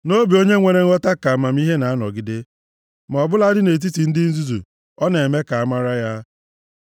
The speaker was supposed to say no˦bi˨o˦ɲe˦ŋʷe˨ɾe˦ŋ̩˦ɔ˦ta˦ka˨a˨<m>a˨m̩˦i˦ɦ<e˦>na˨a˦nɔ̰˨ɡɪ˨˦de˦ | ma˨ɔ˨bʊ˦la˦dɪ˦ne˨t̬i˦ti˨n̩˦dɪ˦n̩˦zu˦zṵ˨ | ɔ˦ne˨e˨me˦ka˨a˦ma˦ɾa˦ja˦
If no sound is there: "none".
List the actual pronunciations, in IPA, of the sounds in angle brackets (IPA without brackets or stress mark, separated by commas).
m, e˦